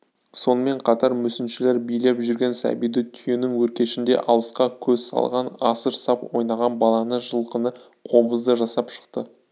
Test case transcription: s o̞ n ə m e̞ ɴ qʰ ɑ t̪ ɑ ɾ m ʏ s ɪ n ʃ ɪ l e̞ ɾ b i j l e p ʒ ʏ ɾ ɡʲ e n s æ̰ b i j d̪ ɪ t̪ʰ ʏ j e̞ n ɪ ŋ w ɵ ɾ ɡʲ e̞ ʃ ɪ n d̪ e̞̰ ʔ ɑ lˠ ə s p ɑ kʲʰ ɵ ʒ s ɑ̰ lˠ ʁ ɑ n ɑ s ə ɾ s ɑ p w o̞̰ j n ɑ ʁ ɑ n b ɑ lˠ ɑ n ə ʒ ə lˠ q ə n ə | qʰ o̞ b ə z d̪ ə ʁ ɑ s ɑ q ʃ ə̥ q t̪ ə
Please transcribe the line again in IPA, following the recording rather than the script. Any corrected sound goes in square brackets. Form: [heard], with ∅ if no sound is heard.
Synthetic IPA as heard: s o̞ n ə m e̞ ɴ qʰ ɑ t̪ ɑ ɾ m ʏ s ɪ n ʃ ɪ l e̞ ɾ b i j l e p ʒ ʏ ɾ ɡʲ e n s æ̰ b i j d̪ ɪ t̪ʰ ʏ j e̞ n ɪ ŋ w ɵ ɾ [kʲ] e̞ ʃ ɪ n d̪ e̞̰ ʔ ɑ lˠ ə s [q] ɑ kʲʰ ɵ [z] s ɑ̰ lˠ ʁ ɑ n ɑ s ə ɾ s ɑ p w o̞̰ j n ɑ ʁ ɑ n b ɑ lˠ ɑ n ə ʒ ə lˠ q ə n ə | qʰ o̞ b ə z d̪ ə [ʒ] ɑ s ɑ [p] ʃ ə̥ q t̪ ə

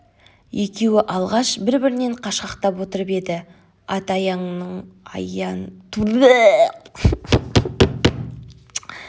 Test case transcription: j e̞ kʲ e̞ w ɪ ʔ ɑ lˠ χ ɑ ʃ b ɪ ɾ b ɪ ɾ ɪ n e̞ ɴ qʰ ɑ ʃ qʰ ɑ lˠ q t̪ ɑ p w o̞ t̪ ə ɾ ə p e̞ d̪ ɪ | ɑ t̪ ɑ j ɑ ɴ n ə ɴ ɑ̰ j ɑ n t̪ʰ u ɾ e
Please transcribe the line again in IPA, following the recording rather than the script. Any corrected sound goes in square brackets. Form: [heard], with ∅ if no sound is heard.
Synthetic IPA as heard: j e̞ kʲ e̞ w ɪ ʔ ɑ lˠ [ʁ] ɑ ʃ b ɪ ɾ b ɪ ɾ ɪ n e̞ ɴ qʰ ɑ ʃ [q] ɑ [∅] q t̪ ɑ p w o̞ t̪ ə ɾ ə p e̞ d̪ ɪ | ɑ t̪ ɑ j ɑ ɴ n ə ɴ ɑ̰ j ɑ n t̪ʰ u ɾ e

